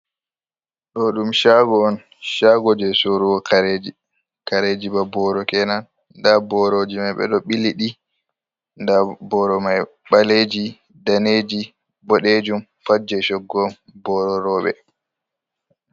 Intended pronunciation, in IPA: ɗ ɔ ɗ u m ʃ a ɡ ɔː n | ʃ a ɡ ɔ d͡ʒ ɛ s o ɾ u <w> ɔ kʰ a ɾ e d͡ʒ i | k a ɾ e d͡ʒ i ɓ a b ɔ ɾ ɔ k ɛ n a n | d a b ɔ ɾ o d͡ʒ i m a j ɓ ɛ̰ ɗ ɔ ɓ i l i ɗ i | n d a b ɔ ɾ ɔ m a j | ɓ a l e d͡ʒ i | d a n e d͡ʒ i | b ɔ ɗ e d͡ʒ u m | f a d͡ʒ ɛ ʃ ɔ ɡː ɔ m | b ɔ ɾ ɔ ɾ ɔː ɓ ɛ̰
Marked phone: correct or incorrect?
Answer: correct